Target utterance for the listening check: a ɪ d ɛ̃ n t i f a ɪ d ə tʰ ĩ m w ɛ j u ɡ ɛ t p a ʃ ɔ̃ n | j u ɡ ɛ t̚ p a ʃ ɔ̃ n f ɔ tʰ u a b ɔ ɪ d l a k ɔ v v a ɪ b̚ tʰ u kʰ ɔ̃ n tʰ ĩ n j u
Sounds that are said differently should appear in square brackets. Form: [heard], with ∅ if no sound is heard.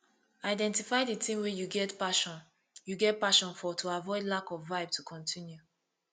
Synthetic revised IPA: a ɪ d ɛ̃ n t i f a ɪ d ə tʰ ĩ m w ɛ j u ɡ ɛ t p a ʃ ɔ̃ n | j u ɡ ɛ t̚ p a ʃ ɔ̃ n f ɔ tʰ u a [v] ɔ ɪ d l a k ɔ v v a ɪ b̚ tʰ u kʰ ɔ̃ n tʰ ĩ n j u